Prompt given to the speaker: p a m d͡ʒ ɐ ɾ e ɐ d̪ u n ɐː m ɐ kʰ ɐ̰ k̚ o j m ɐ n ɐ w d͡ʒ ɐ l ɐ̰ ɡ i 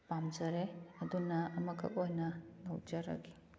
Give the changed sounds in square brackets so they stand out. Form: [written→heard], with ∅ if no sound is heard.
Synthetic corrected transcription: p a m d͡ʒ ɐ ɾ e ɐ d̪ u n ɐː m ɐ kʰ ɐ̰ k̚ o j [m→n] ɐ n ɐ w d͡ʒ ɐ [l→ɾ] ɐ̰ ɡ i